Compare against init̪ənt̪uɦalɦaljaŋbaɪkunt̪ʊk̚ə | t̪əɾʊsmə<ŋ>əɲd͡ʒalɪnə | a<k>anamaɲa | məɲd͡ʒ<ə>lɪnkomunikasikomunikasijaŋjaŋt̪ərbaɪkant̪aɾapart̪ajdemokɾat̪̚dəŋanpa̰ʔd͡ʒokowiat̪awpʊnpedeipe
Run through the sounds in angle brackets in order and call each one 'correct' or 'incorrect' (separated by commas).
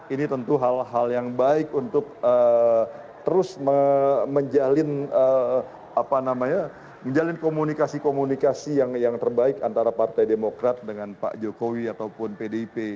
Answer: incorrect, incorrect, incorrect